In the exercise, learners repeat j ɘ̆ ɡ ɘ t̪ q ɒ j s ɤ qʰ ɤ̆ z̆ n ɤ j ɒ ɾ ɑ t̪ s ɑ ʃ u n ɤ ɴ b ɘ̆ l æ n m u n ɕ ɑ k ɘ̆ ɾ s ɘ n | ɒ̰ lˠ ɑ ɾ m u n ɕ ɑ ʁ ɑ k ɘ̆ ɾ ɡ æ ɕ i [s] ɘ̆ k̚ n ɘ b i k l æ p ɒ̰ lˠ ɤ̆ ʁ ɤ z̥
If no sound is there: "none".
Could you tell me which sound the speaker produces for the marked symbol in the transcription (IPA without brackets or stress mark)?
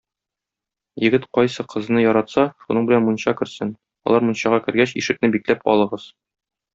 ʃ